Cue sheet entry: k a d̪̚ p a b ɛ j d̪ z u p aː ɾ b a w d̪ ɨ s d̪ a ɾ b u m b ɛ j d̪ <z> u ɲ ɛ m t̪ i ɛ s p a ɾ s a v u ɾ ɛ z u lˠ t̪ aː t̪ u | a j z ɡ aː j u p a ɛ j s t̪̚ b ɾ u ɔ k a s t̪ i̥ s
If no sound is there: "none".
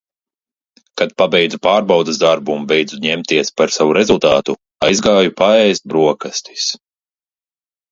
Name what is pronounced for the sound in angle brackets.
z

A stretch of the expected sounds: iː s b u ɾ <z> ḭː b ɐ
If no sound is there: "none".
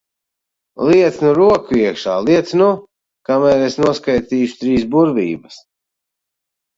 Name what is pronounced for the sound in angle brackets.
v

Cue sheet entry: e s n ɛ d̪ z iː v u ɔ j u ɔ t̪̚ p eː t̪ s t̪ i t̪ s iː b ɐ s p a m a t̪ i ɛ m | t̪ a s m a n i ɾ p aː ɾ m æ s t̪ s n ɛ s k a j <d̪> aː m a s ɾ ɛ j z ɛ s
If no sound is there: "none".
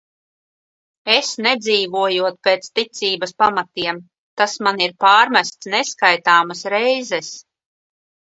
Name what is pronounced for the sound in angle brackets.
t̪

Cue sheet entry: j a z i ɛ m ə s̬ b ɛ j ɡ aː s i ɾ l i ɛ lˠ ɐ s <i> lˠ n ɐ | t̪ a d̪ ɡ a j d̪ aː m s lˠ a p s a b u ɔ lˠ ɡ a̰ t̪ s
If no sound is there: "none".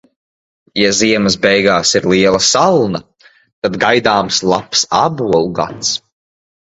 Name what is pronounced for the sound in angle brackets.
a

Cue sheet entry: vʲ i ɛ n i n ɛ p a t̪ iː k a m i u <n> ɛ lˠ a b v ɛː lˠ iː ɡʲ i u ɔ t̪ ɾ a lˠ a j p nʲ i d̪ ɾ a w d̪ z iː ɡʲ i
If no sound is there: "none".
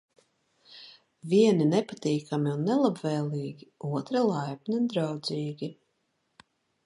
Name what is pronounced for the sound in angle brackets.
nː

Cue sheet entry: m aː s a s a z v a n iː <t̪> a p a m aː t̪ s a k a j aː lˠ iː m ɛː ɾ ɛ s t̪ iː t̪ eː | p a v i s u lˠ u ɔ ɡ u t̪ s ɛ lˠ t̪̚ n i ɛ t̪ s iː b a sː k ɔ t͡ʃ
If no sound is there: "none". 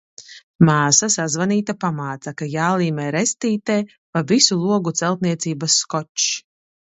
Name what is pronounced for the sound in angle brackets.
t̪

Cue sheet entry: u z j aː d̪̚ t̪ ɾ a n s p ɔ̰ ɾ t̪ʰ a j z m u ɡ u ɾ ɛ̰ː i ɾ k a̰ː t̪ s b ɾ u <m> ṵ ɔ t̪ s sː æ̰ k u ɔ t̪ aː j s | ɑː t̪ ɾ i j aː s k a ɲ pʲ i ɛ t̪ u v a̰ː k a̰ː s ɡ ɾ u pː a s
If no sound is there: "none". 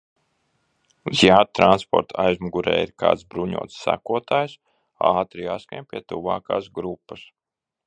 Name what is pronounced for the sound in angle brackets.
ɲ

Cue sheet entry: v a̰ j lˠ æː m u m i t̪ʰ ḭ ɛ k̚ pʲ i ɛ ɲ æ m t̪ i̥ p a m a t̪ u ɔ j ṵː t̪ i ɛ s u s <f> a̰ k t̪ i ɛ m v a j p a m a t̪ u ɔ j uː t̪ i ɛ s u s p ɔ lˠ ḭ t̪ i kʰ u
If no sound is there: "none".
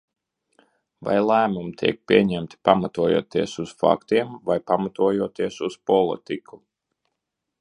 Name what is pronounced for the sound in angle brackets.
f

